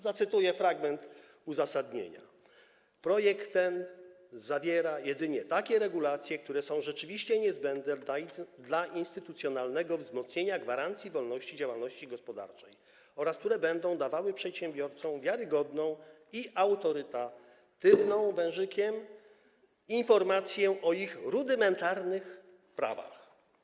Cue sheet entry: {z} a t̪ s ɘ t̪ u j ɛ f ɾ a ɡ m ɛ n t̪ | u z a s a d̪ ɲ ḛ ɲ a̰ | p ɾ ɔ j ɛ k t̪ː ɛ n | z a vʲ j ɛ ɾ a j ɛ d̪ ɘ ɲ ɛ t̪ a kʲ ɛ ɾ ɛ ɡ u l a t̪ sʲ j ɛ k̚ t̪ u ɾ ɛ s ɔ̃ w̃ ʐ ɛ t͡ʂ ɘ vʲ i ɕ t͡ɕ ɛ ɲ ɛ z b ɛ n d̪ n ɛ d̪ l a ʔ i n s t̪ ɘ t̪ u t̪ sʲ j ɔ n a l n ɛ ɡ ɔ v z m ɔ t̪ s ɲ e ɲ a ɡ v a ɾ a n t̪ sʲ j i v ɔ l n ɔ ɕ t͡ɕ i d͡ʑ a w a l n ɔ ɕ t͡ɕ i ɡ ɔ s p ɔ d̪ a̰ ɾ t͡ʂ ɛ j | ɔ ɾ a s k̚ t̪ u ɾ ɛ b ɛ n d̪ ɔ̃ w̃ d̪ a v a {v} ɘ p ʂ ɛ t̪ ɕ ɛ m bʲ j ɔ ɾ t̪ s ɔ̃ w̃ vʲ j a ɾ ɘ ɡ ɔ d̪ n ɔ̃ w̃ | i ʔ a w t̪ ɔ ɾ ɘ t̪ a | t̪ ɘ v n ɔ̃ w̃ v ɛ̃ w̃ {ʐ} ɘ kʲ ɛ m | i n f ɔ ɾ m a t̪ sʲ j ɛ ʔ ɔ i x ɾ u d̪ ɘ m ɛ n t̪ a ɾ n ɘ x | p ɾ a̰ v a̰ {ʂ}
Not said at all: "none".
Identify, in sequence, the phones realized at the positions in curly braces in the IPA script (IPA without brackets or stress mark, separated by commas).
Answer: z, w, ʐ, x